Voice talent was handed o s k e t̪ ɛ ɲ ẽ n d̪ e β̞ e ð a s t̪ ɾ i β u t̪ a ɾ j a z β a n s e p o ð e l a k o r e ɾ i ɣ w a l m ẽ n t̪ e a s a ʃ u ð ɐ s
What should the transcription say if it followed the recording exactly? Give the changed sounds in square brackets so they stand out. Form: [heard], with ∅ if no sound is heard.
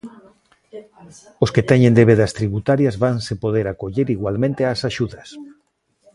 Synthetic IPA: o s k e t̪ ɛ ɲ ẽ n d̪ e β̞ e ð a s t̪ ɾ i β u t̪ a ɾ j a z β a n s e p o ð e [ɾ] a k o [ʎ] e ɾ i ɣ w a l m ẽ n t̪ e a s a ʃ u ð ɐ s